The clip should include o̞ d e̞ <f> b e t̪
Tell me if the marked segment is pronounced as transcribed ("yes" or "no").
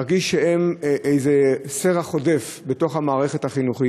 yes